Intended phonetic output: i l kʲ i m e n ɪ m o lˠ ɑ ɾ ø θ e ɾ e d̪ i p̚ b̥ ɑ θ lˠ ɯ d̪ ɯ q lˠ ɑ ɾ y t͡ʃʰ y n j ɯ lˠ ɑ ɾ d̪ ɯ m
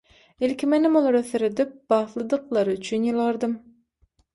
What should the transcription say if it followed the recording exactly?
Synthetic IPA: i l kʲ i m e n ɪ m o lˠ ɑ ɾ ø θ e ɾ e d̪ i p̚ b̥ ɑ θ lˠ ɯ d̪ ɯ q lˠ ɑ ɾ y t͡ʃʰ y n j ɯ lˠ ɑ ɾ d̪ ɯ m